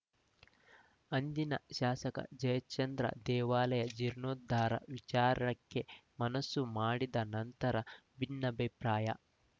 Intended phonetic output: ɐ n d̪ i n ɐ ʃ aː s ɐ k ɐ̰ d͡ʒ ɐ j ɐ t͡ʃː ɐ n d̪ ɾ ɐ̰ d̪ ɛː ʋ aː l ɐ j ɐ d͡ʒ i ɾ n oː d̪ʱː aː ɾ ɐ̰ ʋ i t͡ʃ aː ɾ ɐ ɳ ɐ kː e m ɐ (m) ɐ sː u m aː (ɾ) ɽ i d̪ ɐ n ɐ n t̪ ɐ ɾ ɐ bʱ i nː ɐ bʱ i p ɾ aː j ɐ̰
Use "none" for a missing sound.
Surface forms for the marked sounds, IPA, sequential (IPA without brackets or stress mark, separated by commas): n, none